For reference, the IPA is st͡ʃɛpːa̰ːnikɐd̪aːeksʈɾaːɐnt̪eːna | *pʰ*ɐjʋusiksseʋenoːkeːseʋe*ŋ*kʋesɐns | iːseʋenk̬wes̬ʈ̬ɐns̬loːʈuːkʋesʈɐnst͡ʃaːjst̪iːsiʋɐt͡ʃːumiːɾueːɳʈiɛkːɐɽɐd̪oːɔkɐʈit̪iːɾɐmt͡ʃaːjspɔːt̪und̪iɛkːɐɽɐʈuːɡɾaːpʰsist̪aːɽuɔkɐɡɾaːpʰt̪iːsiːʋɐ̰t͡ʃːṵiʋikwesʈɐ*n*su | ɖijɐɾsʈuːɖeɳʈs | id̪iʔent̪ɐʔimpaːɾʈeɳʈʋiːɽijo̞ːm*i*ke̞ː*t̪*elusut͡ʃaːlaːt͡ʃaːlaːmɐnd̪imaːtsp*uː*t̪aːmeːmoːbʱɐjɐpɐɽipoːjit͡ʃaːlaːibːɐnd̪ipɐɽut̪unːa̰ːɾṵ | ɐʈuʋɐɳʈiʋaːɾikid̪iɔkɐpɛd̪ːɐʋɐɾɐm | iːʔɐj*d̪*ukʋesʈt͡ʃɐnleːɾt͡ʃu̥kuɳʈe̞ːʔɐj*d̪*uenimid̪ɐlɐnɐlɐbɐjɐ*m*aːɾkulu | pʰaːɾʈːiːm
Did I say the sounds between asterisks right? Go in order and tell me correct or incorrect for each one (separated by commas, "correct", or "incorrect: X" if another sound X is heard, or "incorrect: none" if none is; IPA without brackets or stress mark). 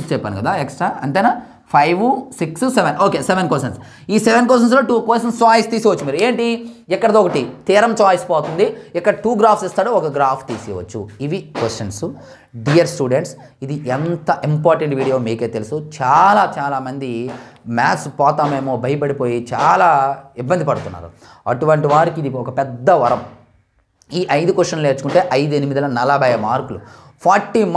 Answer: correct, incorrect: n, correct, incorrect: iː, correct, incorrect: ɔː, correct, correct, correct